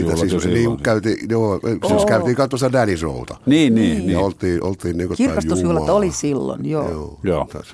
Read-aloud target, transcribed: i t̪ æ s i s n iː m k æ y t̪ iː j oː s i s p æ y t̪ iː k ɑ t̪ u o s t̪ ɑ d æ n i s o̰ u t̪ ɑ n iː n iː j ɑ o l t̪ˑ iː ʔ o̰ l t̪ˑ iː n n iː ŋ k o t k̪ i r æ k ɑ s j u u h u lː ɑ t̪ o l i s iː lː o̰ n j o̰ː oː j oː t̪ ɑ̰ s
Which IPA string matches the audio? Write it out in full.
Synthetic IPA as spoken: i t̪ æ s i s n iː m k æ y t̪ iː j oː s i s k æ y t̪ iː k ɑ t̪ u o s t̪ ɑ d æ n i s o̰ u t̪ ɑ n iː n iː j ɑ o l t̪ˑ iː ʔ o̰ l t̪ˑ iː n n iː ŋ k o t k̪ i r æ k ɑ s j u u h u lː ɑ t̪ o l i s i lː o̰ n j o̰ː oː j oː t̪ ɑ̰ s